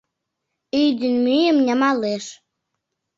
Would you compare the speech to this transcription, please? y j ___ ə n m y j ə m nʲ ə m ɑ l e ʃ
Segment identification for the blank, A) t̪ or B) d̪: B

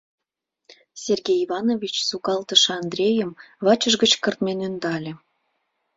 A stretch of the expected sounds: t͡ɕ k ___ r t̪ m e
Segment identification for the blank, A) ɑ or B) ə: B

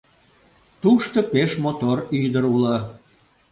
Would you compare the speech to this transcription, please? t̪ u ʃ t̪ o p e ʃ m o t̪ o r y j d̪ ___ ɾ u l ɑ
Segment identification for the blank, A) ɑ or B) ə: B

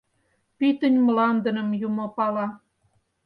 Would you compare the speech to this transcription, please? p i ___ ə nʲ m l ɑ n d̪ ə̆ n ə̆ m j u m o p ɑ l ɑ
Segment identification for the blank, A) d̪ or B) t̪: B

